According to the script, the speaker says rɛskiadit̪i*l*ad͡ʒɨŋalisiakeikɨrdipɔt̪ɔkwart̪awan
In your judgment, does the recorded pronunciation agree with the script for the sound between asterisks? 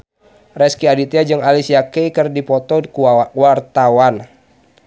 no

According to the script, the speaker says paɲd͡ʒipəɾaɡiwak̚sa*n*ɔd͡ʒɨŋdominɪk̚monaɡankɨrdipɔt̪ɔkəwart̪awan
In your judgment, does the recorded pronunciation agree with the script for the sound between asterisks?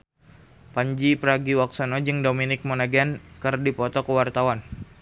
yes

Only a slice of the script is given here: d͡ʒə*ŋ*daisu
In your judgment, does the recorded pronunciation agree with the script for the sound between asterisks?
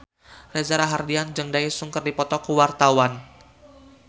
yes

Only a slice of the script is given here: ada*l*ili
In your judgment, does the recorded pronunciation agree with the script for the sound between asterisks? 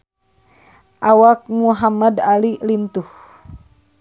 yes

